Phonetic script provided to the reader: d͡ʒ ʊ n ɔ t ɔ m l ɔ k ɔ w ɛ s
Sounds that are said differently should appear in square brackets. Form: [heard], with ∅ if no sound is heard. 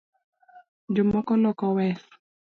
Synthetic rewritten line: d͡ʒ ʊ [m] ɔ [k] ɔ [∅] l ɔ k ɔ w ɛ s